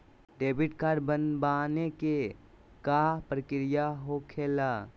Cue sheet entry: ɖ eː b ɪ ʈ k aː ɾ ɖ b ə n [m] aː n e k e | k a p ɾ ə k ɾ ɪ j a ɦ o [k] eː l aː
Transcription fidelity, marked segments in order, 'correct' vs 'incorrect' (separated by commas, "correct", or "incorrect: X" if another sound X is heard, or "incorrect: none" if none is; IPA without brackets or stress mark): incorrect: b, incorrect: kʰ